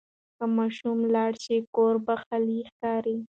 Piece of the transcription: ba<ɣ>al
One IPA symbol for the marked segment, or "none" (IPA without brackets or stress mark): x